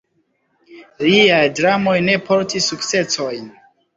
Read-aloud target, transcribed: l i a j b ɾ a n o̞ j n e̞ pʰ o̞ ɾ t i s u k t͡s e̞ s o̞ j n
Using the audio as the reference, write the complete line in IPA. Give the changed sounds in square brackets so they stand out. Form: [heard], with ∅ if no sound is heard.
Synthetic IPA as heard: l i a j [d] ɾ a [m] o̞ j n e̞ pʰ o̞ ɾ t i s u k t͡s e̞ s o̞ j n